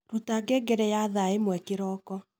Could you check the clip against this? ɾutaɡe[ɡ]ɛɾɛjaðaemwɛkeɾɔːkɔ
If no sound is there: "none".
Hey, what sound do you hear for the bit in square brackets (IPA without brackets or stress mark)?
ɡ